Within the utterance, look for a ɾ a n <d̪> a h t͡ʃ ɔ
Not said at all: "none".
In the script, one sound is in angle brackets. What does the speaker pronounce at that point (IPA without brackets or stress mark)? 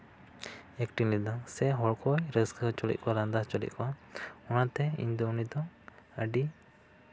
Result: d̪